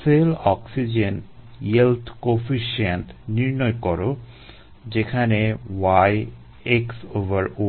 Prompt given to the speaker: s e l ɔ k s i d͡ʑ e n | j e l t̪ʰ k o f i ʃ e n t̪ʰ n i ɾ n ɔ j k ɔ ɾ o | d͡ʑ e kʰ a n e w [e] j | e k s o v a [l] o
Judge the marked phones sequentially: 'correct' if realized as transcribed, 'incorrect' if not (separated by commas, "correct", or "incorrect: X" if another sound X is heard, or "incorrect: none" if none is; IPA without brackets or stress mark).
incorrect: a, incorrect: ɾ